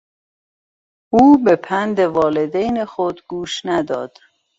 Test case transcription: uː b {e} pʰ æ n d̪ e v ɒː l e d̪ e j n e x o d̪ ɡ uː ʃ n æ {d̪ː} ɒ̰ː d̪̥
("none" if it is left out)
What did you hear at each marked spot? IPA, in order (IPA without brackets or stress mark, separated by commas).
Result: e, d̪